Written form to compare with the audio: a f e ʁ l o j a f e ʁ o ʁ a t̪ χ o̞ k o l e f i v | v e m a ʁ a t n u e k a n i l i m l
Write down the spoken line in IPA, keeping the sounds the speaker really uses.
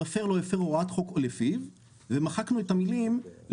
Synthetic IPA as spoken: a f e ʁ l o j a f e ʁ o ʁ a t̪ χ o̞ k o l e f i v | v e m a χ a k n u e t a m i l i m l